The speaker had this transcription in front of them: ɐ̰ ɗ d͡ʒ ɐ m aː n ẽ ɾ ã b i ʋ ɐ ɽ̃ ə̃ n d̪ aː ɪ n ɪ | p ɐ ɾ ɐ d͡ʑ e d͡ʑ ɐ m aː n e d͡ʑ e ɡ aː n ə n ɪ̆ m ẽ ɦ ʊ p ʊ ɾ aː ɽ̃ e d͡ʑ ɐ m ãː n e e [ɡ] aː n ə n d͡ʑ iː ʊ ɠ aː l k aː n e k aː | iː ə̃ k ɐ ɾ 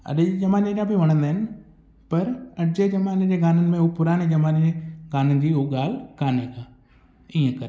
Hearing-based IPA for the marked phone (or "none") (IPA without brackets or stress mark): ɡ